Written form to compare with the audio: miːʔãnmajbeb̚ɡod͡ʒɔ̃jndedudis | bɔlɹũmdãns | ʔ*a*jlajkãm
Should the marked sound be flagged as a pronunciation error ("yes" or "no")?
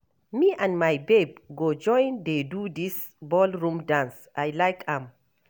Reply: no